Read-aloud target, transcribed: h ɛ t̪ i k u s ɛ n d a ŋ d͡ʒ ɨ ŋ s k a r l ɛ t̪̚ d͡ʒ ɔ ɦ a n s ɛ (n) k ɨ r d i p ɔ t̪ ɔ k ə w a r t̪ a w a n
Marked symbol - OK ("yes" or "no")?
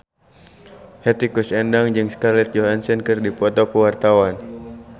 yes